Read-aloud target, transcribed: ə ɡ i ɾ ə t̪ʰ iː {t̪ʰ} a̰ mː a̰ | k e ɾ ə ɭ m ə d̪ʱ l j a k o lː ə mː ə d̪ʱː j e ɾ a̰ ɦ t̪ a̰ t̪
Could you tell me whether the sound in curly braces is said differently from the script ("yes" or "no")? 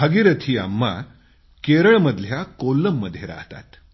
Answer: yes